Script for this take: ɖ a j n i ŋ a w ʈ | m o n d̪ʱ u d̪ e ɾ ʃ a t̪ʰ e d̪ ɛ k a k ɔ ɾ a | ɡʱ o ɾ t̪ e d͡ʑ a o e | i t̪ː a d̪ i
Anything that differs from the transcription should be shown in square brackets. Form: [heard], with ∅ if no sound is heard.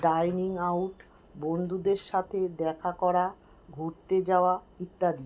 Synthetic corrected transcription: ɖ a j n i ŋ a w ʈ | [b] o n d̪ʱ u d̪ e ɾ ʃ a t̪ʰ e d̪ ɛ [kʰ] a k ɔ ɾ a | ɡʱ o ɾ t̪ e d͡ʑ a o [a] | i t̪ː a d̪ i